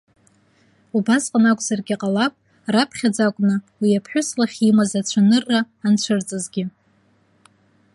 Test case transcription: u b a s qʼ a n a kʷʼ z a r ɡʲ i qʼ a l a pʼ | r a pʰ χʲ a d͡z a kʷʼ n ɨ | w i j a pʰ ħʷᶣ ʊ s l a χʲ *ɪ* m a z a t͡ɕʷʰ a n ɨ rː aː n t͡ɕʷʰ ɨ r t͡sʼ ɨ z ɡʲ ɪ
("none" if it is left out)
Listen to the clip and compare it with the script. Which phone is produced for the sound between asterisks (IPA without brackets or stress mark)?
i